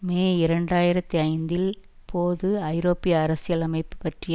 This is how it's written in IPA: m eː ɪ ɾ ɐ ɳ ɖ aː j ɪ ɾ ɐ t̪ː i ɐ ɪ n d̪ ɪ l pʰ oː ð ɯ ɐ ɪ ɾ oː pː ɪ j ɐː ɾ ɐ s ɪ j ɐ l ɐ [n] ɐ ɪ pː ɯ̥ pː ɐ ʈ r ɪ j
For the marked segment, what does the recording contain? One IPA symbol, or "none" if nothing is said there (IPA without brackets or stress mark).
m